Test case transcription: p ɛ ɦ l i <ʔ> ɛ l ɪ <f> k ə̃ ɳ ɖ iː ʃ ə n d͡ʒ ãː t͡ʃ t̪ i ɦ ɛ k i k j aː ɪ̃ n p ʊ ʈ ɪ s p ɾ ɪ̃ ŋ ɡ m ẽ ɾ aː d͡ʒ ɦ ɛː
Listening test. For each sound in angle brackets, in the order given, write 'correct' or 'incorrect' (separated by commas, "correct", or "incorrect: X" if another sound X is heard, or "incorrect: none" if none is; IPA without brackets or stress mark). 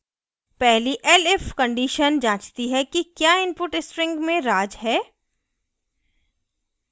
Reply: correct, correct